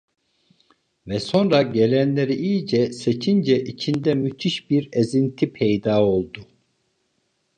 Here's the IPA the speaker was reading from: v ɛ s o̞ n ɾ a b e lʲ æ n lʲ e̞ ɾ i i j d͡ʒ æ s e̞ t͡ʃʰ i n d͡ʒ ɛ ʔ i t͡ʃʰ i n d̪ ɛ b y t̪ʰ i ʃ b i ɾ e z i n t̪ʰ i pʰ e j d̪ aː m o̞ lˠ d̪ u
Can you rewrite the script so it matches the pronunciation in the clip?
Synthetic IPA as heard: v ɛ s o̞ n ɾ a ɟ e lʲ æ n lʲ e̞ ɾ i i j d͡ʒ ɛ s e̞ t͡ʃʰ i n d͡ʒ ɛ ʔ i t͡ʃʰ i n d̪ ɛ m y t̪ʰ i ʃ b i ɾ e z i n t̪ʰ i pʰ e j d̪ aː o̞ lˠ d̪ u

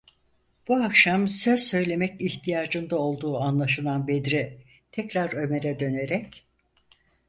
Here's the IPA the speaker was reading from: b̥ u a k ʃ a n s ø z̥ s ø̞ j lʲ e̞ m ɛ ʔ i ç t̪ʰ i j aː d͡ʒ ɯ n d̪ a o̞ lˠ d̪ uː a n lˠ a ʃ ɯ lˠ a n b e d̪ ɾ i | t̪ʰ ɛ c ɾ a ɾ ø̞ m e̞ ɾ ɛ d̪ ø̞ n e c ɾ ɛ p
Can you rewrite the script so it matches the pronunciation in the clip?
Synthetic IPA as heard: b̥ u a k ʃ a m s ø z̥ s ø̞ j lʲ e̞ m ɛ c i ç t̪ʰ i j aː d͡ʒ ɯ n d̪ a o̞ lˠ d̪ uː a n lˠ a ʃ ɯ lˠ a n b e d̪ ɾ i | t̪ʰ ɛ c ɾ a ɾ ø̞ m e̞ ɾ ɛ d̪ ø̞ n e ɾ ɛ c

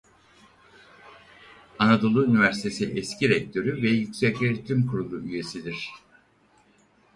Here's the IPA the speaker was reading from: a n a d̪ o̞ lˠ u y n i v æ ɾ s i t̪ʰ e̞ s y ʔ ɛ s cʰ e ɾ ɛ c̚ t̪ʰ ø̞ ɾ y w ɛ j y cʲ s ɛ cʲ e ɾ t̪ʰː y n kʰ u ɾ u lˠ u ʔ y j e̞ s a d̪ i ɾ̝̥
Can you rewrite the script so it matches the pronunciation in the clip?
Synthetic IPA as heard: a n a d̪ o̞ lˠ u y n i v æ ɾ s i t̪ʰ e̞ s i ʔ ɛ s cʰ i ɾ ɛ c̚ t̪ʰ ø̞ ɾ y v ɛ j y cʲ s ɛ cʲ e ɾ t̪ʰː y m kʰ u ɾ u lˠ u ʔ y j e̞ s i d̪ i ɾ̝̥

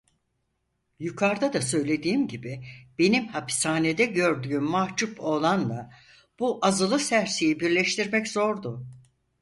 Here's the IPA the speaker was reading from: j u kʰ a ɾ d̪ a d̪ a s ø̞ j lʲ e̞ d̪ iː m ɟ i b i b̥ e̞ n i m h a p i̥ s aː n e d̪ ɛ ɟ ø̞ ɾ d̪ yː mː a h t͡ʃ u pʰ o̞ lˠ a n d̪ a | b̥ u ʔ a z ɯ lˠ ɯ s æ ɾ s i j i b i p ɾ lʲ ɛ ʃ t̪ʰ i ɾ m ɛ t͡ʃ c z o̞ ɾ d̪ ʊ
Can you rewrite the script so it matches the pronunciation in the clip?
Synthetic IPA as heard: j u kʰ a ɾ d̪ a d̪ a s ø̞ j lʲ e̞ d̪ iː m ɟ i b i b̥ e̞ n i m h a p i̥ s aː n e d̪ ɛ ɟ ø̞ ɾ d̪ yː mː a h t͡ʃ u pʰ o̞ lˠ a n d̪ a | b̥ u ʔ a z ɯ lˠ ɯ s æ ɾ s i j i b i ɾ lʲ ɛ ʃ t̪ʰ i ɾ m ɛ c z o̞ ɾ d̪ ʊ

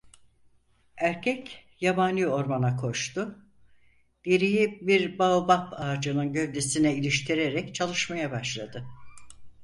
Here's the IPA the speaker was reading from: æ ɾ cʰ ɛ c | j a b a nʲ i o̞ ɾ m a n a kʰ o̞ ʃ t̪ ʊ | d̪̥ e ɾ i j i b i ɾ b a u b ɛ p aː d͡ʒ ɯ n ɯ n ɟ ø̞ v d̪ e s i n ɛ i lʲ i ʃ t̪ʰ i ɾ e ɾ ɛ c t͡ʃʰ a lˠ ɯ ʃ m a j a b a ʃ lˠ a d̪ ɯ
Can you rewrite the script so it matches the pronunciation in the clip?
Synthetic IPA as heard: æ ɾ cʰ ɛ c | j a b a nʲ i o̞ ɾ m a n a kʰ o̞ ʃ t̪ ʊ | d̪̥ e ɾ i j i b i ɾ b a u b a p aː d͡ʒ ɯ n ɯ n ɟ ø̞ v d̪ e s i n ɛ i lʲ i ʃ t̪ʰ i ɾ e ɾ ɛ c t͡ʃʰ a lˠ ɯ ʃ m a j a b a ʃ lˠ a d̪ ɯ

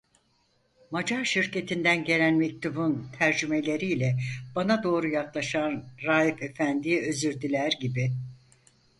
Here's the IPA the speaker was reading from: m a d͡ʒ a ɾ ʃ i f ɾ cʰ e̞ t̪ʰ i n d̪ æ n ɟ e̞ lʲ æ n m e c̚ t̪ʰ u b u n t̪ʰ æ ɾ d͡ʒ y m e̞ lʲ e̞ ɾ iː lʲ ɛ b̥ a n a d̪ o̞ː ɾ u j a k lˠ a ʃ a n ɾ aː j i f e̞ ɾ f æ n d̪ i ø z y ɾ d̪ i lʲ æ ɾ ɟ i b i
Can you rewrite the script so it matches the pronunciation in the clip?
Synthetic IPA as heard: m a d͡ʒ a ɾ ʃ i ɾ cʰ e̞ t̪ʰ i n d̪ æ n ɟ e̞ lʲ æ n m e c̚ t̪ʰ u b u n t̪ʰ æ ɾ d͡ʒ y m e̞ lʲ e̞ ɾ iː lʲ ɛ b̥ a n a d̪ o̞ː ɾ u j a k lˠ a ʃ a n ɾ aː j i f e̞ f æ n d̪ i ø z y ɾ d̪ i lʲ æ ɾ ɟ i b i

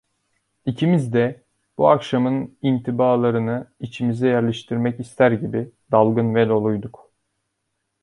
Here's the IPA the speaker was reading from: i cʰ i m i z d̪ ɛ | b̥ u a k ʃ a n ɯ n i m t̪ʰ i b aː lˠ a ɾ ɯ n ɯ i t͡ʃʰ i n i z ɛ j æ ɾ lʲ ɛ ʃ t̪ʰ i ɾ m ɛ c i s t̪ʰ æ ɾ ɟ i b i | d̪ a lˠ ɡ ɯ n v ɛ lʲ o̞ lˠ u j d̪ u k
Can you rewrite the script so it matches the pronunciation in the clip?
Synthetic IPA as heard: i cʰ i m i z d̪ ɛ | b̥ u a k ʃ a m ɯ n i n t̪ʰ i b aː lˠ a ɾ ɯ n ɯ i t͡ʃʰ i m i z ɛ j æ ɾ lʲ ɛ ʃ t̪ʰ i ɾ m ɛ c i s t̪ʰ æ ɾ ɟ i b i | d̪ a lˠ ɡ ɯ n v ɛ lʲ o̞ lˠ u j d̪ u k

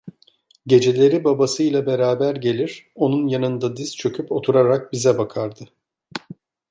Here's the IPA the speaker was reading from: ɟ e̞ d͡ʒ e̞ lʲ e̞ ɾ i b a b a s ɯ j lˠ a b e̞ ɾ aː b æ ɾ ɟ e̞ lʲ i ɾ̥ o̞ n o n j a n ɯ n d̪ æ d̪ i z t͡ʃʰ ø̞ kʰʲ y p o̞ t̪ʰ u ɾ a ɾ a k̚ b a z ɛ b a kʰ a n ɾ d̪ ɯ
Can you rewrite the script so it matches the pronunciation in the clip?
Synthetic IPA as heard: ɟ e̞ d͡ʒ e̞ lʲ e̞ ɾ i b a b a s ɯ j lˠ a b e̞ ɾ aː b æ ɾ ɟ e̞ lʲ i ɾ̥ o̞ n u n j a n ɯ n d̪ a d̪ i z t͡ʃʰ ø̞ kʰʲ y p o̞ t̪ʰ u ɾ a ɾ a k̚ b i z ɛ b a kʰ a ɾ d̪ ɯ

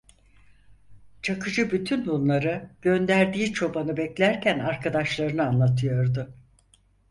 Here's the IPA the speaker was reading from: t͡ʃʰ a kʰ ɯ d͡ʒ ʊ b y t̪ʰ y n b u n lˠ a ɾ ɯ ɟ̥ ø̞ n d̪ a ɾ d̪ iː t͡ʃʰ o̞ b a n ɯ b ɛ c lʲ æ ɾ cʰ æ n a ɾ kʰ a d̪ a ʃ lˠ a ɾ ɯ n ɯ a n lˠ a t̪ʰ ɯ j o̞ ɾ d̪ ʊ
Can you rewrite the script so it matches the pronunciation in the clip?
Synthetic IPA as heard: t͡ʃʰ a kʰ ɯ d͡ʒ ɯ b y t̪ʰ y n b u n lˠ a ɾ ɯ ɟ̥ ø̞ n d̪ æ ɾ d̪ iː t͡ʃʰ o̞ b a n ɯ b ɛ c lʲ æ ɾ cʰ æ n a ɾ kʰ a d̪ a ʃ lˠ a ɾ ɯ n ɯ a n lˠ a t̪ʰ ɯ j o̞ ɾ d̪ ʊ

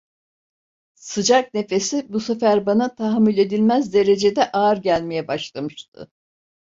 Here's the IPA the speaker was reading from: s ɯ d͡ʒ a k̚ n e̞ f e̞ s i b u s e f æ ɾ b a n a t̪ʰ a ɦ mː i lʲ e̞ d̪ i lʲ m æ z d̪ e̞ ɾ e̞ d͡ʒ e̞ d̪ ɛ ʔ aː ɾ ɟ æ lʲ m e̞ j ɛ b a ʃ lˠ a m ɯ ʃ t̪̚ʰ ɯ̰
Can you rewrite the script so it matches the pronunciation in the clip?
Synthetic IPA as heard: s ɯ d͡ʒ a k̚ n e̞ f e̞ s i b u s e f æ ɾ b a n a t̪ʰ a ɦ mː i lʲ e̞ d̪ i lʲ m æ z d̪ e̞ ɾ e̞ d͡ʒ e̞ d̪ ɛ ʔ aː ɾ ɟ æ lʲ m e̞ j ɛ b a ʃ lˠ a m ɯ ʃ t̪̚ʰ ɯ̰

